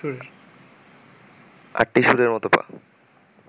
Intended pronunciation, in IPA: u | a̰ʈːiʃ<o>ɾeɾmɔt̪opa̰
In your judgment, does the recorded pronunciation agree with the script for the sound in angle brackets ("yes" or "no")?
no